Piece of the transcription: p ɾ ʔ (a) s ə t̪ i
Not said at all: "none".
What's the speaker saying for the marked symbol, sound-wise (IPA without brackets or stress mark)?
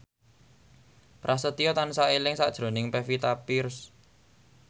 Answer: a